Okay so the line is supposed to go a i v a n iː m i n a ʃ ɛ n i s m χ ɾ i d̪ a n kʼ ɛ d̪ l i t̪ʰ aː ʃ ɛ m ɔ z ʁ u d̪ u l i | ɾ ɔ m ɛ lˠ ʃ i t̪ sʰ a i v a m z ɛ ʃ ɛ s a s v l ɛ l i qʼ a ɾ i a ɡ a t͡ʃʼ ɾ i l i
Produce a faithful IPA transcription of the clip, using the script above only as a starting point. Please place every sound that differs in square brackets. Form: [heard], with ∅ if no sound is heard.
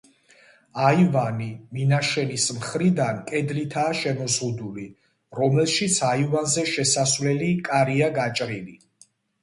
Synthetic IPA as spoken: a i v a n [i] m i n a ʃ ɛ n i s m χ ɾ i d̪ a n kʼ ɛ d̪ l i t̪ʰ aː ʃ ɛ m ɔ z ʁ u d̪ u l i | ɾ ɔ m ɛ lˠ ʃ i t̪ sʰ a i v a [n] z ɛ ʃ ɛ s a s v l ɛ l i [kʼ] a ɾ i a ɡ a t͡ʃʼ ɾ i l i